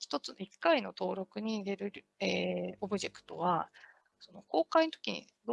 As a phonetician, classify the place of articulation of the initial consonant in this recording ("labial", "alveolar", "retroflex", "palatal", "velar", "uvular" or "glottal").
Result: palatal